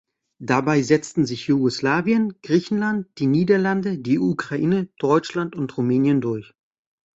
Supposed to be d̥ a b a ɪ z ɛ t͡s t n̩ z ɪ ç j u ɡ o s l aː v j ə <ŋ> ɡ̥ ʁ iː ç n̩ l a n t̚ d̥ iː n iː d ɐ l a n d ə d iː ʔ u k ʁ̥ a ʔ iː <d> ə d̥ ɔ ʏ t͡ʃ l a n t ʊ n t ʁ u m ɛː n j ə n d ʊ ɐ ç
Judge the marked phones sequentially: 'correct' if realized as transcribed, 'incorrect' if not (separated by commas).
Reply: incorrect, incorrect